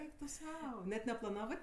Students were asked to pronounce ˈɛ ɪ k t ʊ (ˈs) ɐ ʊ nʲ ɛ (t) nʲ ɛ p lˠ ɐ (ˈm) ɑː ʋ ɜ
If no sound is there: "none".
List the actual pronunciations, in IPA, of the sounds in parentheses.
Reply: s, t, n

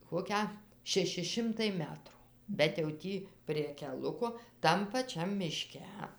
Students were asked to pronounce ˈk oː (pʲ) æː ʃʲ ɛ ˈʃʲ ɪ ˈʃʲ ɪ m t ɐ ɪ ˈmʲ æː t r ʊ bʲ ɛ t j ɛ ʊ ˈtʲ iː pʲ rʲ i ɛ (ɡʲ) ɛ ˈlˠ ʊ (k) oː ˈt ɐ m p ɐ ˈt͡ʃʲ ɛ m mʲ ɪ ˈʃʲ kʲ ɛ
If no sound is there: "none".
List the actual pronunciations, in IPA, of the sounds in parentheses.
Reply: kʲ, kʲ, k

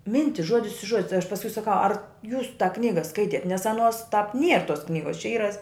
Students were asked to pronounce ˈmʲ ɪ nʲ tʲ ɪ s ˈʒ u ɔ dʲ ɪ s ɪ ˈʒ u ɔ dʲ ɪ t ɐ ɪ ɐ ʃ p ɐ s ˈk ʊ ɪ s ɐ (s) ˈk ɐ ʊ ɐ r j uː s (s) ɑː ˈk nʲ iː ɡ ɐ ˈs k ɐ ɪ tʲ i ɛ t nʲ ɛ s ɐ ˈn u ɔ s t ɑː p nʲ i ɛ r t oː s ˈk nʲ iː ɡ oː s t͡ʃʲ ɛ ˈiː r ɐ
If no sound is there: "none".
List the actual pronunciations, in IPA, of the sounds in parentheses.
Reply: none, t

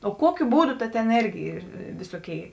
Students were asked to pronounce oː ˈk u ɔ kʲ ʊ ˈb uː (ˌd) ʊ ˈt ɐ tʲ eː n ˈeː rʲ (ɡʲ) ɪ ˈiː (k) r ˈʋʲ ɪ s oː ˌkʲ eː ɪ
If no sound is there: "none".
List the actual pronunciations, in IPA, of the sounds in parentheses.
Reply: d, ɡʲ, none

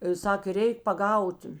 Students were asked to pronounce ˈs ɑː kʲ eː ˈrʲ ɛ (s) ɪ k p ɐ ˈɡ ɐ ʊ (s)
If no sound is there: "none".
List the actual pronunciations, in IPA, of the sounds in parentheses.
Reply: none, t

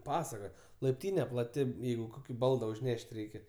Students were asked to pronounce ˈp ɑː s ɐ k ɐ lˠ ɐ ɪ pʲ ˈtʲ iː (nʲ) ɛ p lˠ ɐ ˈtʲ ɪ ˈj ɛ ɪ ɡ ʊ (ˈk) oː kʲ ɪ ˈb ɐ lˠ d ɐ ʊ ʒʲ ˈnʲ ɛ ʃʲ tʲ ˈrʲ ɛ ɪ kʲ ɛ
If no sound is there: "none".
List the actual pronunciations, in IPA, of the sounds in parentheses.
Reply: nʲ, k

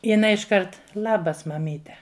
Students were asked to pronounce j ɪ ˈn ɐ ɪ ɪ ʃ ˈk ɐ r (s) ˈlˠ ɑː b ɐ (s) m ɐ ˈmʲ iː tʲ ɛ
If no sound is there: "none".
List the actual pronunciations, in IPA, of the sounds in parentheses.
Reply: t, s

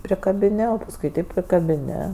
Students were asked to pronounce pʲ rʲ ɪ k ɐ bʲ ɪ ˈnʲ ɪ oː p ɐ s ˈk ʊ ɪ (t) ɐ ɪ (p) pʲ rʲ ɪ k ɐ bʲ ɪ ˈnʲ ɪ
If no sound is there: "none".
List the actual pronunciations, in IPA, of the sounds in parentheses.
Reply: t, p

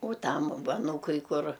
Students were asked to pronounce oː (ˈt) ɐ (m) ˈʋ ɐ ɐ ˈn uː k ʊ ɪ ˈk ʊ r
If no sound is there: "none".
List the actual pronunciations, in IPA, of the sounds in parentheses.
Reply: t, m

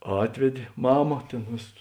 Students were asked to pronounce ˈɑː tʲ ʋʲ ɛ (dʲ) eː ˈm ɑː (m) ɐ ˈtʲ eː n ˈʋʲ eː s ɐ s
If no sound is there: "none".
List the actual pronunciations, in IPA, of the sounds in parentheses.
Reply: dʲ, m

